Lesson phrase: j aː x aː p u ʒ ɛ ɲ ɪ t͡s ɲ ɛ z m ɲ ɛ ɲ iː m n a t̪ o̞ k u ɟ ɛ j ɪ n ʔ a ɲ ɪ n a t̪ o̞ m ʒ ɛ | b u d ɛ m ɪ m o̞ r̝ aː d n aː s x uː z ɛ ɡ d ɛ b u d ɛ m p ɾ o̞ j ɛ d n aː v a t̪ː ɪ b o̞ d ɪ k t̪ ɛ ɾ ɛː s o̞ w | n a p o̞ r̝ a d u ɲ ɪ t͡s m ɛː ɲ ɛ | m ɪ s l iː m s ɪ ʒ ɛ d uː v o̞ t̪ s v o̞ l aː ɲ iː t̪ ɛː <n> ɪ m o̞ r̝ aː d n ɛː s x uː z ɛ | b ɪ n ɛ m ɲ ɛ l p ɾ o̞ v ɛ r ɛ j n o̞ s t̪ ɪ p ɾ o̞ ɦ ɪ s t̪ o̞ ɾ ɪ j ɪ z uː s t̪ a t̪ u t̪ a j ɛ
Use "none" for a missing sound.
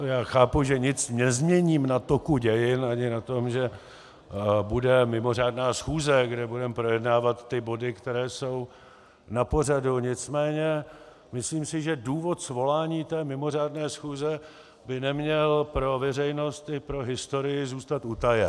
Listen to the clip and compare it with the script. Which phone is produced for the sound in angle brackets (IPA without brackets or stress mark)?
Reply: m